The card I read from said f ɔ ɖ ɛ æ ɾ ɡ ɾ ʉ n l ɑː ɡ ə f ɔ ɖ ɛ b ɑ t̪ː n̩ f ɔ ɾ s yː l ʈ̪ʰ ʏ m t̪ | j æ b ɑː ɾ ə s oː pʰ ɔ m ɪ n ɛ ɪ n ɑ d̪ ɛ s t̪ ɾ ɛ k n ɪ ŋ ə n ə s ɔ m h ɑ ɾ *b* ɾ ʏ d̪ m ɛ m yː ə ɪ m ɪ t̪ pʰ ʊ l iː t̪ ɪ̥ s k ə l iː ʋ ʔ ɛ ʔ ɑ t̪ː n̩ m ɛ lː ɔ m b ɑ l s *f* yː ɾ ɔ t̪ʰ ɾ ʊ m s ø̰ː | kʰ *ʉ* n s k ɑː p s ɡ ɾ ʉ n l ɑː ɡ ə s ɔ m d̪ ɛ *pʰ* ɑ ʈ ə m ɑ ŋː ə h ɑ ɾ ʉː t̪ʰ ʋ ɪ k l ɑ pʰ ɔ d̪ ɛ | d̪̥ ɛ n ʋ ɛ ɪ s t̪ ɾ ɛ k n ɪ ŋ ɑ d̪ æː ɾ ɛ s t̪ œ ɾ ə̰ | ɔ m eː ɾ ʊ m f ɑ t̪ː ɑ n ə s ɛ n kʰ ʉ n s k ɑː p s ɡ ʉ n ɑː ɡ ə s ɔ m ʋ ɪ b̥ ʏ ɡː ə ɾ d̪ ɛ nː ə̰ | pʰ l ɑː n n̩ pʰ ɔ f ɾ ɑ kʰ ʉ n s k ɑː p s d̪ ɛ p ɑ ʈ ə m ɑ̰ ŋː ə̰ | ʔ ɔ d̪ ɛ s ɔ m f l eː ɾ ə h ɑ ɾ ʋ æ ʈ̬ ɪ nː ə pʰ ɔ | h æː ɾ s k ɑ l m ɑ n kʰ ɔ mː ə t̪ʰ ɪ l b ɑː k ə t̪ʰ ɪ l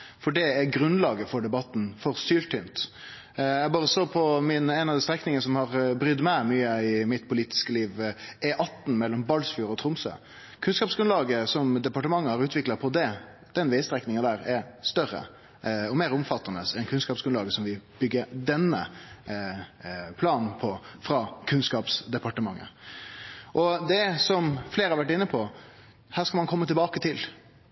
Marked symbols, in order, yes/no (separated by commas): yes, yes, yes, no